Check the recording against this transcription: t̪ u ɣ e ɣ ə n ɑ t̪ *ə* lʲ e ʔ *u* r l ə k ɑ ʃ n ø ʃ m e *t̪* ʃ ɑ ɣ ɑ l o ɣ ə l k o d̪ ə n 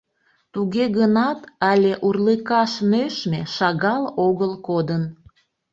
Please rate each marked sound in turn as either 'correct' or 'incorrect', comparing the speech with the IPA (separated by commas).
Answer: incorrect, correct, incorrect